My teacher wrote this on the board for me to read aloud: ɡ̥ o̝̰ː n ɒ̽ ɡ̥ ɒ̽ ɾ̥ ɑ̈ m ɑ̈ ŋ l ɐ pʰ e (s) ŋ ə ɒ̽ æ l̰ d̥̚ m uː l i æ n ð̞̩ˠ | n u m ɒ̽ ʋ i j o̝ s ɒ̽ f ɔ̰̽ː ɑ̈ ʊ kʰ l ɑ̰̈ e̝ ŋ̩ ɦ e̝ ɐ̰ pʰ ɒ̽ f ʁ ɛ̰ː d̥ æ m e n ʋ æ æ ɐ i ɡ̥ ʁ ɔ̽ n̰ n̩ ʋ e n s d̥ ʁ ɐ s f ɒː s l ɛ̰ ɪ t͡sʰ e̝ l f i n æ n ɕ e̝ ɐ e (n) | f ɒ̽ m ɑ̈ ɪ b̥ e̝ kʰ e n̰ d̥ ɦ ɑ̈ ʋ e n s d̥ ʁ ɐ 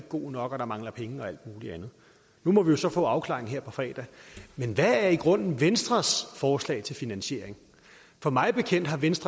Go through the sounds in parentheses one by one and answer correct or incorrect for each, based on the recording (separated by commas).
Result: incorrect, incorrect